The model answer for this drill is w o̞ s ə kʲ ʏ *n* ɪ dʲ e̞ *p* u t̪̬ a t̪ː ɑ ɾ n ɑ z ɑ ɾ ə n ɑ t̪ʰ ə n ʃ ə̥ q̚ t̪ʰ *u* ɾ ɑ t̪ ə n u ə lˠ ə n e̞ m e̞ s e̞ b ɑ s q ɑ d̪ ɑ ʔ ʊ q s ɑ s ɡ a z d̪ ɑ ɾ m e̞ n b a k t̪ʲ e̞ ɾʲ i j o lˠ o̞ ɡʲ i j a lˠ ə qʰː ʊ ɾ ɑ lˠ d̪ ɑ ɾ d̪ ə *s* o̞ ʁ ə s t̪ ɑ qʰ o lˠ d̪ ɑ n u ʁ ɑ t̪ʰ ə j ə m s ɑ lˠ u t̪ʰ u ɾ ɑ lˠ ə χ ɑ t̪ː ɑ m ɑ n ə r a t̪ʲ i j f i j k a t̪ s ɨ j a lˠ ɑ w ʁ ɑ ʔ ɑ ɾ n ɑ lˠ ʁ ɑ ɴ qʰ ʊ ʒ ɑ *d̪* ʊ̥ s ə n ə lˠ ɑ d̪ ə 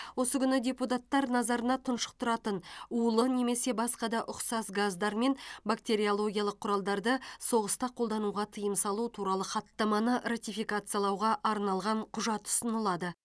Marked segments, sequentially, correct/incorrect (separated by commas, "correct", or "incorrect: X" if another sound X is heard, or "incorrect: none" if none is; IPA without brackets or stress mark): correct, correct, incorrect: ʊ, correct, incorrect: t̪